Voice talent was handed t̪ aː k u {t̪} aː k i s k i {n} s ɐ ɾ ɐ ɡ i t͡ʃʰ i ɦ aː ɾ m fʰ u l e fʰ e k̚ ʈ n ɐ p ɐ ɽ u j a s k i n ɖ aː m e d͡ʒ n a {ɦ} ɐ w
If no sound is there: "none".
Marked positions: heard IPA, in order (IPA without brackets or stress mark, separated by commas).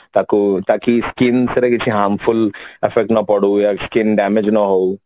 t̪, n, ɦ